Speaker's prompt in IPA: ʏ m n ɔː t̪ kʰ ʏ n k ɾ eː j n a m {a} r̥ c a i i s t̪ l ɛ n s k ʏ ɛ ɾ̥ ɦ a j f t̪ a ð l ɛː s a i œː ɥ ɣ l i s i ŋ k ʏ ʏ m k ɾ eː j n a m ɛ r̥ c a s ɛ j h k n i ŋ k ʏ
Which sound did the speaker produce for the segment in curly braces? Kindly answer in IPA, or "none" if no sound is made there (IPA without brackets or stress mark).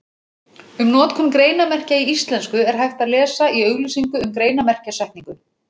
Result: ɛ